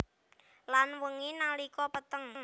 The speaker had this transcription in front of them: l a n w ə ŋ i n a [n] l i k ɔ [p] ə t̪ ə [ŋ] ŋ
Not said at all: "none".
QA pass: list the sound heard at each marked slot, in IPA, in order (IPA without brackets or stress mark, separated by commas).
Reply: none, p, ŋ